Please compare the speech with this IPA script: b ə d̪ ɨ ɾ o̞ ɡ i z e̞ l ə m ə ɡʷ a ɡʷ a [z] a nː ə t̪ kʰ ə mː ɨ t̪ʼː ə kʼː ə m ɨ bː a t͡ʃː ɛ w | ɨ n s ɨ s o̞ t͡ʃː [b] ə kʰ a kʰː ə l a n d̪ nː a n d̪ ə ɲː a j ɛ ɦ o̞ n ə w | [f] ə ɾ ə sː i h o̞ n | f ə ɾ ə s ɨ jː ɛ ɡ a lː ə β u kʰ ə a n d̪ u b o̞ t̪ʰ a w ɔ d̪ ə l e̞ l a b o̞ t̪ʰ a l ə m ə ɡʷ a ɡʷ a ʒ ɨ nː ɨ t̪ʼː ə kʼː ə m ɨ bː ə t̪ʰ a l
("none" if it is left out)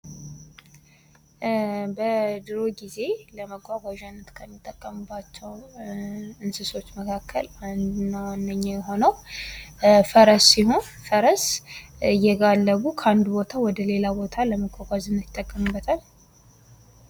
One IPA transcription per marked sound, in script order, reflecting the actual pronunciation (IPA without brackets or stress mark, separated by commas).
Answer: ʒ, m, f